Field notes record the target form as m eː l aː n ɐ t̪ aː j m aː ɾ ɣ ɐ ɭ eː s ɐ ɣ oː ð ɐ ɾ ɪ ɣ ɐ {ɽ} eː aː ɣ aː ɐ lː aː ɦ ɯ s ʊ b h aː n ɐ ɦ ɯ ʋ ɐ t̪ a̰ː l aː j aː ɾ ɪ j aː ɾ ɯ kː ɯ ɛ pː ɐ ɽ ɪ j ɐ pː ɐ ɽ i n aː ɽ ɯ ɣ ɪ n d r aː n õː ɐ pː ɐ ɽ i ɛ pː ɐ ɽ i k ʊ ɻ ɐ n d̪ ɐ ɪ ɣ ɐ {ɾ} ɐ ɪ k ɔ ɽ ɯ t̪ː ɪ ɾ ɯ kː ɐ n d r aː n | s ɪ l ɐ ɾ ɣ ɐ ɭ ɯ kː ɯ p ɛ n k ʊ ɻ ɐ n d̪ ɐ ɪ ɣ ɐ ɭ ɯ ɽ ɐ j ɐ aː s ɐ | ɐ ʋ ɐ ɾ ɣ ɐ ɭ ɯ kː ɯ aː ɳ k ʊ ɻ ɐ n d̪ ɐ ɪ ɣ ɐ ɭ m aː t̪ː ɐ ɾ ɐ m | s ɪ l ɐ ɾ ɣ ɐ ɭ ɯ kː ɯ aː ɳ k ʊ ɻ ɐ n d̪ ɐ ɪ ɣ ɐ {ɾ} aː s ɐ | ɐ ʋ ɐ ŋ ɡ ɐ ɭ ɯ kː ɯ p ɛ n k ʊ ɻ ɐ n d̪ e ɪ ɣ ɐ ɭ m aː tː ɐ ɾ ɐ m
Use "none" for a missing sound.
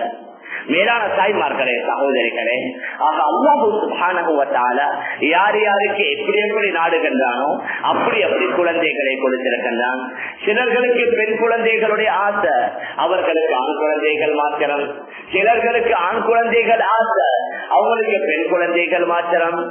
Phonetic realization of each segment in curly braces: ɭ, ɭ, ɭ

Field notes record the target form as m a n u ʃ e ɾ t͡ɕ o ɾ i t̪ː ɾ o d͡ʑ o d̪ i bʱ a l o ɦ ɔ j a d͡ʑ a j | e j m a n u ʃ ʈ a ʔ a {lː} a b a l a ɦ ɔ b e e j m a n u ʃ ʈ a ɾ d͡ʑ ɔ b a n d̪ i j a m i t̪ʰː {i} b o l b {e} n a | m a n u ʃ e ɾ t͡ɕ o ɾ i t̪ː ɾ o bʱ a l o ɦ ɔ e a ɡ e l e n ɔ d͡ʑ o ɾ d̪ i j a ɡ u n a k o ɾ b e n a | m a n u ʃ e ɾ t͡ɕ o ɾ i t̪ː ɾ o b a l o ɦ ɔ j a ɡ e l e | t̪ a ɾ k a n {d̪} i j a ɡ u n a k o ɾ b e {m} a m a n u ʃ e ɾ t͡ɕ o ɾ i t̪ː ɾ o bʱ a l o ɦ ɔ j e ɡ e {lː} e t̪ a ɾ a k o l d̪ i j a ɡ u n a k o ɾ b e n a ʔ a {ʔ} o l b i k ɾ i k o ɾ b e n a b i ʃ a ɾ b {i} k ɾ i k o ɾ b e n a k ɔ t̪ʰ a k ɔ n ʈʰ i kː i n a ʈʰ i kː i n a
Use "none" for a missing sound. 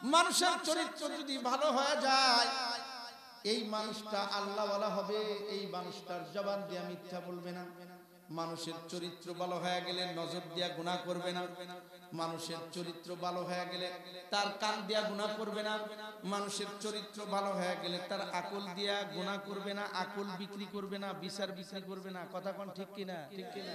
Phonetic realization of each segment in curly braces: lː, a, e, d̪, n, l, k, i

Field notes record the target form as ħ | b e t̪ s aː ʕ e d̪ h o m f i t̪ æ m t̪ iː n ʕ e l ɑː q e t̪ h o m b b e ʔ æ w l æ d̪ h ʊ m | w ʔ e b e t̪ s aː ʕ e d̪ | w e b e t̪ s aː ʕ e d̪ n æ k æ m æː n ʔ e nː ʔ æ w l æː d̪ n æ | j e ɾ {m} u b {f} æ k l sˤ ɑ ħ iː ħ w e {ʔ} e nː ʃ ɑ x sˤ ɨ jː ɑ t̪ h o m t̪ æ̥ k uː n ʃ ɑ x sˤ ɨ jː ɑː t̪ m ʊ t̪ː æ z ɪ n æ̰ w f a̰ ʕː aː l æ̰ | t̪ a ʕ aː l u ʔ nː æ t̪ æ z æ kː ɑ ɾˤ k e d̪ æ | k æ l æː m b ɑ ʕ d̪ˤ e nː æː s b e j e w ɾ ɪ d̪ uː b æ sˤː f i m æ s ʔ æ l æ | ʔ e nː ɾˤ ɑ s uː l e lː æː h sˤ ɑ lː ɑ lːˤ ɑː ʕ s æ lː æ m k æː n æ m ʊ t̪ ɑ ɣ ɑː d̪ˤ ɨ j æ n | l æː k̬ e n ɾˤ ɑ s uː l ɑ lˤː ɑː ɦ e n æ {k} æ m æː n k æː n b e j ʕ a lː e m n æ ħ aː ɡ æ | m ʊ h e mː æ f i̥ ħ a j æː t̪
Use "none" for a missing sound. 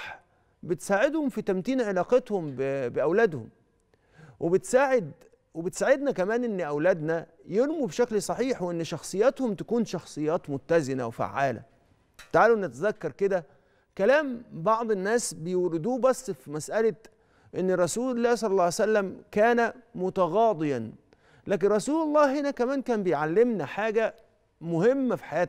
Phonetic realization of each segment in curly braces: m, ʃ, ʔ, k

